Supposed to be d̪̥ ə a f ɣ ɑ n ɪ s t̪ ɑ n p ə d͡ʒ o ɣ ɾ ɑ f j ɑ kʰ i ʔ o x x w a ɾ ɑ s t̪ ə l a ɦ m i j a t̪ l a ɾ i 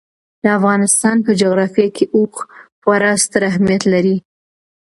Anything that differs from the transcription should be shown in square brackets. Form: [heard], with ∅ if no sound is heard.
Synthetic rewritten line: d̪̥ ə a f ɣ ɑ n ɪ s t̪ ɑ n p ə d͡ʒ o ɣ ɾ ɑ f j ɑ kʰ [e] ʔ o x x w a ɾ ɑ s t̪ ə [ɾ] a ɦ m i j a t̪ l a ɾ i